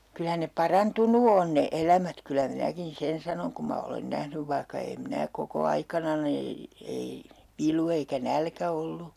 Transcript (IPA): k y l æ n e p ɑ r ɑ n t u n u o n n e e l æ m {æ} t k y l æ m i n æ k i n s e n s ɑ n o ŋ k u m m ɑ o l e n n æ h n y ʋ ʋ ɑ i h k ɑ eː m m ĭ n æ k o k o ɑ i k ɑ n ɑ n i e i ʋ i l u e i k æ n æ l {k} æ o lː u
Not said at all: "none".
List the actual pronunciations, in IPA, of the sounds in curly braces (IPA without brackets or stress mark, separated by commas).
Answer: æ, k